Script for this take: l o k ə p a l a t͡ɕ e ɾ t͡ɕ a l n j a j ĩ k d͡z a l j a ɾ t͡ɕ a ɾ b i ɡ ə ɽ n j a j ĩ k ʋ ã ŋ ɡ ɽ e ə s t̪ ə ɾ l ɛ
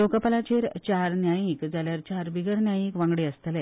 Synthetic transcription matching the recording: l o k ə p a l a t͡ɕ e ɾ t͡ɕ a ɾ n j a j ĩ k d͡z a l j a ɾ t͡ɕ a ɾ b i ɡ ə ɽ n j a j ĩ k ʋ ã ŋ ɡ ɽ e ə s t̪ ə l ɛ